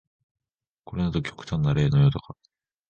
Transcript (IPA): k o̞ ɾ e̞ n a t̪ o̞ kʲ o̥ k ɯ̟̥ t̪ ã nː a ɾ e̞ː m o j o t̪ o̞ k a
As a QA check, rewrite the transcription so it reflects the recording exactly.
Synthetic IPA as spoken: k o̞ ɾ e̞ n a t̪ o̞ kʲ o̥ k ɯ̟̥ t̪ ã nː a ɾ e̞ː n o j o t̪ o̞ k a